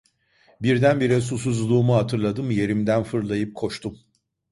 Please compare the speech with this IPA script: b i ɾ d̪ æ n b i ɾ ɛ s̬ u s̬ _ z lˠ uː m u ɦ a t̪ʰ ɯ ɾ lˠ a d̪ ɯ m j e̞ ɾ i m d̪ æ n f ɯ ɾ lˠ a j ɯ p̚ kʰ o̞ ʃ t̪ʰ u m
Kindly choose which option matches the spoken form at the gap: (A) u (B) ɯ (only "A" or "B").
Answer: A